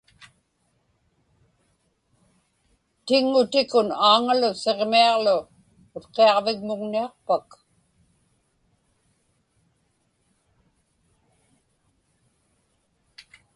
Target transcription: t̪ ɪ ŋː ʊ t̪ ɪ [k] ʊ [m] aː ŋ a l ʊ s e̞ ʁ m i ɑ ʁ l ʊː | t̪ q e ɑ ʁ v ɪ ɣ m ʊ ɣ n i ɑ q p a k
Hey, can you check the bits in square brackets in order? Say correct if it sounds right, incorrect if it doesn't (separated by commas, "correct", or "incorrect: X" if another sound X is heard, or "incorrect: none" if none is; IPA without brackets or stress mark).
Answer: correct, incorrect: n